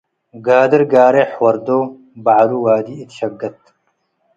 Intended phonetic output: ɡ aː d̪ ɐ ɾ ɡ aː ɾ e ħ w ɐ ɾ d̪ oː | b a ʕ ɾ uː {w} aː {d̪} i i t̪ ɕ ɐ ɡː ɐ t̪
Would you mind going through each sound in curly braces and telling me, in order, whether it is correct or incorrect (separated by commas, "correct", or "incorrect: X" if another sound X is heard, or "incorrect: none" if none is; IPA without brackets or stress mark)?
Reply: correct, correct